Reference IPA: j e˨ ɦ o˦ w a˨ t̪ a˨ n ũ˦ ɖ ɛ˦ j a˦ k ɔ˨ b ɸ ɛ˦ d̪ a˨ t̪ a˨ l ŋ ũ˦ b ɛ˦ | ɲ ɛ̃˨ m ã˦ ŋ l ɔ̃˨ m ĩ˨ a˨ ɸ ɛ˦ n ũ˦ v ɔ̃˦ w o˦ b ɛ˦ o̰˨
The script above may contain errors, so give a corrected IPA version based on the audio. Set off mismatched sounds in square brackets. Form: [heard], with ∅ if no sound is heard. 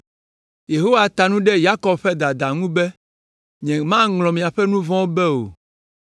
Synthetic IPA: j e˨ ɦ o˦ w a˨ t̪ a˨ n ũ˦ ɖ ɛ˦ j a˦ k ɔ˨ b ɸ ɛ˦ d̪ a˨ [d̪] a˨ [∅] ŋ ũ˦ b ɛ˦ | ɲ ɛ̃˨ m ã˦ ŋ l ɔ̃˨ m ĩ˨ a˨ ɸ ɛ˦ n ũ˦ v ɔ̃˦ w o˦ b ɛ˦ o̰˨